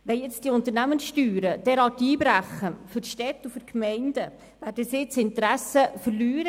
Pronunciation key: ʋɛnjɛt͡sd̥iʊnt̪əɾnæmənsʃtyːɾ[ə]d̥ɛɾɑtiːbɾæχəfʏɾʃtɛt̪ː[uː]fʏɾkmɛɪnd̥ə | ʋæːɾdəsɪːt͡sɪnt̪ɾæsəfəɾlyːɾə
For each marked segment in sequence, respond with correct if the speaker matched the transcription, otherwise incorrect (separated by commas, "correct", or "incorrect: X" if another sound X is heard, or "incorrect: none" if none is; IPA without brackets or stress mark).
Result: correct, incorrect: u